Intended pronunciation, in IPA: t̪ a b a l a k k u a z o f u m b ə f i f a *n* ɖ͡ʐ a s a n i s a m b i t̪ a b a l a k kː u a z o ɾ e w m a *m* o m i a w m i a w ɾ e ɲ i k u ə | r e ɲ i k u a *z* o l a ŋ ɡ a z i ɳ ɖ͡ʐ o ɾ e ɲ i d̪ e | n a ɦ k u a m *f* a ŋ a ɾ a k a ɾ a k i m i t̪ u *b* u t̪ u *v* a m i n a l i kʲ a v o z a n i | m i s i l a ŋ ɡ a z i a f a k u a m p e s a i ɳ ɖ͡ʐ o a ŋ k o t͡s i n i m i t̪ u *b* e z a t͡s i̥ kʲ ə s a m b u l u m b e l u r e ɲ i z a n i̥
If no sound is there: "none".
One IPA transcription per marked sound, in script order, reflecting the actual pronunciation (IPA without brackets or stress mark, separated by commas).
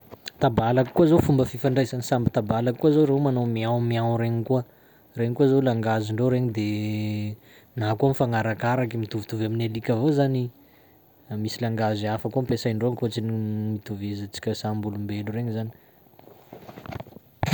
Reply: ɳ, n, z, f, v, v, v